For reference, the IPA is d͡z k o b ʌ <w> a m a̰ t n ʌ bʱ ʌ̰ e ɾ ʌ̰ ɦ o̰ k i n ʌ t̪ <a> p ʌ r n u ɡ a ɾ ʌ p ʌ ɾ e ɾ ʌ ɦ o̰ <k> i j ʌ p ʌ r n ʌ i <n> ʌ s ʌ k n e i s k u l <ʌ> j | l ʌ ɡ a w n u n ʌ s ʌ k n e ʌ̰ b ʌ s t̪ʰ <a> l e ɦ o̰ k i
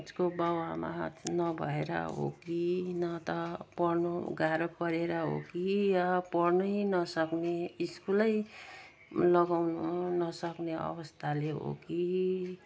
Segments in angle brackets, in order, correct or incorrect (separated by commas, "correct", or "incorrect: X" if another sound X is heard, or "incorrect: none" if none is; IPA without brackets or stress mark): correct, incorrect: ʌ, correct, correct, correct, correct